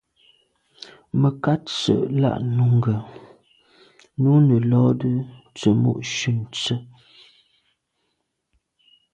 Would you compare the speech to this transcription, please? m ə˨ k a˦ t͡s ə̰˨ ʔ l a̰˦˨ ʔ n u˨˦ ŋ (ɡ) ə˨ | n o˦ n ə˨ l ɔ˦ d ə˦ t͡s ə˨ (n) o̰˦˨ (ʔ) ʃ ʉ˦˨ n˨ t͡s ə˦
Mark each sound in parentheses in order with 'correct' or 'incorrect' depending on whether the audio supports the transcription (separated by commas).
correct, incorrect, correct